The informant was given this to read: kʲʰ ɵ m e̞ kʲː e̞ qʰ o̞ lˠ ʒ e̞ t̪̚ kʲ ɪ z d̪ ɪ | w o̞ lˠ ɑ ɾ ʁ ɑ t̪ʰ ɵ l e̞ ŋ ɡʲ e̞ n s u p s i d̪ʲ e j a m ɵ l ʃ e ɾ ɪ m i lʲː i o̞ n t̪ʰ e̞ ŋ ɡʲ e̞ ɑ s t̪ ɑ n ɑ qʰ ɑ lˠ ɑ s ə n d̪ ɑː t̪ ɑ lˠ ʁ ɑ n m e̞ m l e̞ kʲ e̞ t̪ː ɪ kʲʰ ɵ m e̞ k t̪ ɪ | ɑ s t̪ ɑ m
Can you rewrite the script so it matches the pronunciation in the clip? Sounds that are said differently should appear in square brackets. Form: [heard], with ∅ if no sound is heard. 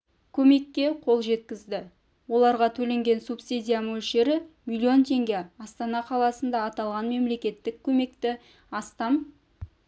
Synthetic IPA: kʲʰ ɵ m e̞ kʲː e̞ qʰ o̞ lˠ ʒ e̞ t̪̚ kʲ ɪ z d̪ ɪ | w o̞ lˠ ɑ ɾ ʁ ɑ t̪ʰ ɵ l e̞ ŋ ɡʲ e̞ n s u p s i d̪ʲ [i] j a m ɵ l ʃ e ɾ ɪ m i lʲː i o̞ n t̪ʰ e̞ ŋ ɡʲ e̞ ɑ s t̪ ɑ n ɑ qʰ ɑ lˠ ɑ s ə n d̪ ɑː t̪ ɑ lˠ ʁ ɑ n m e̞ m l e̞ kʲ e̞ t̪ː ɪ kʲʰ ɵ m e̞ k t̪ ɪ | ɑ s t̪ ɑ m

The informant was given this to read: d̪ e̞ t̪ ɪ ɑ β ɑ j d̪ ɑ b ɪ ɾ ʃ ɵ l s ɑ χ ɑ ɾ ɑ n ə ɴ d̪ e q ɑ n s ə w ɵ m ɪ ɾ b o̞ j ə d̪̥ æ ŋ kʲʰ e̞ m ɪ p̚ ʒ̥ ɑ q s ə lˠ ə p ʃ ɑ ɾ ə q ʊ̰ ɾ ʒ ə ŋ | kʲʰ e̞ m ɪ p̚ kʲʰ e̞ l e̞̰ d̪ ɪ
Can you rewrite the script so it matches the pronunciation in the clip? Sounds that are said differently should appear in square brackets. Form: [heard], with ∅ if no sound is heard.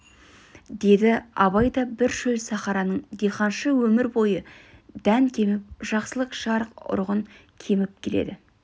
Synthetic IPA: d̪ e̞ [d̪] ɪ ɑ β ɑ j d̪ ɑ b ɪ ɾ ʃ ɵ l s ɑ χ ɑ ɾ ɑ n ə ɴ d̪ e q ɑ n [ʃ] ə w ɵ m ɪ ɾ b o̞ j ə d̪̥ æ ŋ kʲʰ e̞ m ɪ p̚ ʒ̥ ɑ q s ə lˠ ə [q] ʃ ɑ ɾ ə q ʊ̰ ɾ [ʁ] ə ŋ | kʲʰ e̞ m ɪ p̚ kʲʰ e̞ l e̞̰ d̪ ɪ

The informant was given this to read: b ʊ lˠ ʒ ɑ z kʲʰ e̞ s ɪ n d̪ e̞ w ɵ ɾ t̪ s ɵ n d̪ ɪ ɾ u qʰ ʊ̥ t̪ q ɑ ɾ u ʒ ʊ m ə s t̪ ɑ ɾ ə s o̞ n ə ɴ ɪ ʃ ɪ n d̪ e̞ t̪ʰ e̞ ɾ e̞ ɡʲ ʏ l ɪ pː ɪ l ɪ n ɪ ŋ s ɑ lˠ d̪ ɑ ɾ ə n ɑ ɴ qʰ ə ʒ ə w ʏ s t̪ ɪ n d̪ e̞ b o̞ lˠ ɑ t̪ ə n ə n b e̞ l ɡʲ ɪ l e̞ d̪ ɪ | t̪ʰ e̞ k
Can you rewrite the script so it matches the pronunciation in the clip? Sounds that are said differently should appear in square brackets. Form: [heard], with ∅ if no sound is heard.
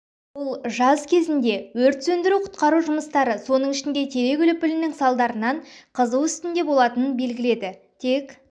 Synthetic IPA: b ʊ lˠ ʒ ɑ z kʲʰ e̞ [z] ɪ n d̪ e̞ w ɵ ɾ t̪ s ɵ n d̪ ɪ ɾ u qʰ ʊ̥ t̪ q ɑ ɾ u ʒ ʊ m ə s t̪ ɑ ɾ ə s o̞ n ə ɴ ɪ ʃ ɪ n d̪ e̞ t̪ʰ e̞ ɾ e̞ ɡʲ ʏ l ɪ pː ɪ l ɪ n ɪ ŋ s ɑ lˠ d̪ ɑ ɾ ə n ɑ ɴ qʰ ə [z] ə w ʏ s t̪ ɪ n d̪ e̞ b o̞ lˠ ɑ t̪ ə n ə n b e̞ l ɡʲ ɪ l e̞ d̪ ɪ | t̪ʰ e̞ k

